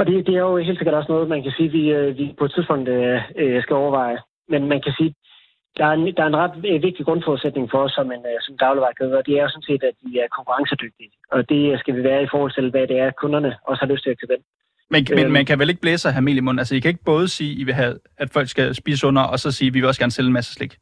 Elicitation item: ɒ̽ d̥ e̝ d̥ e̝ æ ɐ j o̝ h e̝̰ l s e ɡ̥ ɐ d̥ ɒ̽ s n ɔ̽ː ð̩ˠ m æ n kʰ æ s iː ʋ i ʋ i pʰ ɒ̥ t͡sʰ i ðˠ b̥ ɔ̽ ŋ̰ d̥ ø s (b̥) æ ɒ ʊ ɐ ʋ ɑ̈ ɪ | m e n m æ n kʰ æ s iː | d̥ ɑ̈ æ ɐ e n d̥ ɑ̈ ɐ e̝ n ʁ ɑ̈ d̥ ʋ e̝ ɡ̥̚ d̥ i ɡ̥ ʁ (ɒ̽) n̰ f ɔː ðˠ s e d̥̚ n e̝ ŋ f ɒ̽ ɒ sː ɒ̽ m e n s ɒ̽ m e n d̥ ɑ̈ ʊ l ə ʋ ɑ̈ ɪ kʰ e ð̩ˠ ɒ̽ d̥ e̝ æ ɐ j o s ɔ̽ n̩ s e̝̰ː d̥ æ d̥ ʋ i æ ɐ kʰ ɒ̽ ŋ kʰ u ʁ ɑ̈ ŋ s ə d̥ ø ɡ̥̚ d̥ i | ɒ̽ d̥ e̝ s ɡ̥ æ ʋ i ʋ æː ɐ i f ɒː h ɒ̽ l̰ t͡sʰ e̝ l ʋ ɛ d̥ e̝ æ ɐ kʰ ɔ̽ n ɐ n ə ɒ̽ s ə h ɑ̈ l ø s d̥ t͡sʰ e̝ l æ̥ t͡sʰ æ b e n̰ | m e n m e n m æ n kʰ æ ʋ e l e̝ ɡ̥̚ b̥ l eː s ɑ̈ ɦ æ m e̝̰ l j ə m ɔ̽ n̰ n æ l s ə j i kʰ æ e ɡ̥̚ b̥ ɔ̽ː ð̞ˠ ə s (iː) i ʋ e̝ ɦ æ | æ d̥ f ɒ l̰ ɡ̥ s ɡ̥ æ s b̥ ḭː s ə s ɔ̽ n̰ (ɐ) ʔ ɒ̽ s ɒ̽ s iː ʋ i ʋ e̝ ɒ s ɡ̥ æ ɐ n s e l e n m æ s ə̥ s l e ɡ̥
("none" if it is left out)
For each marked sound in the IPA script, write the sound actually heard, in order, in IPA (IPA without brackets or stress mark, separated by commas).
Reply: ɡ̥, ɔ̽, iː, ɐ